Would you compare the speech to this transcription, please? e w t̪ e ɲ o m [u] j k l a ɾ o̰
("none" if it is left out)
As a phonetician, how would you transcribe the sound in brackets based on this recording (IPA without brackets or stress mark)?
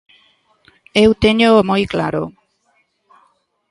o